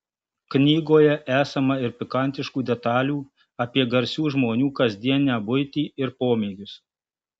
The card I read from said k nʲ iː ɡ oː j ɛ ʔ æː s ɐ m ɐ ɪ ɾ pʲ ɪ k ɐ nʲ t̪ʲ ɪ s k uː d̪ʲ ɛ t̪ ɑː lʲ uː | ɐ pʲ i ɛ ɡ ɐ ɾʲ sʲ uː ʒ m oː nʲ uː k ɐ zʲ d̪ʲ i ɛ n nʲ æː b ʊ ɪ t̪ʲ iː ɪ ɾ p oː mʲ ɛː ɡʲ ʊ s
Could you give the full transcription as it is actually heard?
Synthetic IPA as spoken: k nʲ iː ɡ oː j ɛ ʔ æː s ɐ m ɐ ɪ ɾ pʲ ɪ k ɐ nʲ t̪ʲ ɪ ʃ k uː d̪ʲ ɛ t̪ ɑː lʲ uː | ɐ pʲ i ɛ ɡ ɐ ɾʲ sʲ uː ʒ m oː nʲ uː k ɐ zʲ d̪ʲ i ɛ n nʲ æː b ʊ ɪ t̪ʲ iː ɪ ɾ p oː mʲ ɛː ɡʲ ʊ s